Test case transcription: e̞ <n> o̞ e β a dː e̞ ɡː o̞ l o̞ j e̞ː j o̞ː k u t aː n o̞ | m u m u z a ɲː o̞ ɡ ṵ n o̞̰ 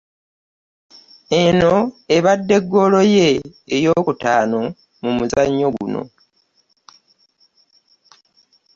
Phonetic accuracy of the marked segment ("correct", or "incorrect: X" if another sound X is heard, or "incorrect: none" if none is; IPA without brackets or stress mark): correct